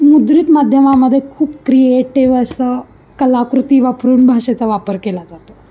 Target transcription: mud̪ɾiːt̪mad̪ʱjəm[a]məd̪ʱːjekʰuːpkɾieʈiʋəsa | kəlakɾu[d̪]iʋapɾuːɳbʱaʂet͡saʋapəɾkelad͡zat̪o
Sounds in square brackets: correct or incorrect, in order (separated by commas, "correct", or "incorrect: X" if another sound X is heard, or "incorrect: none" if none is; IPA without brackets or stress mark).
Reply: correct, incorrect: t̪